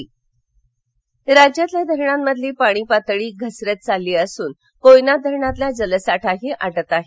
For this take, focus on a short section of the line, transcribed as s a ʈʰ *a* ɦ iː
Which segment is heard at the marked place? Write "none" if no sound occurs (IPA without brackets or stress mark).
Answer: a